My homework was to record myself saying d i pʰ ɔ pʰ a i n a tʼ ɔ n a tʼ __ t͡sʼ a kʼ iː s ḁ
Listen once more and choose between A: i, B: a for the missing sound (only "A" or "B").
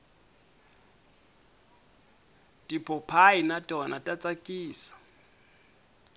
B